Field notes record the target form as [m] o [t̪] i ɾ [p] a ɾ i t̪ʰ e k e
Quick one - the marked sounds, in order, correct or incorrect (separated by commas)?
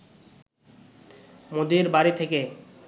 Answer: correct, incorrect, incorrect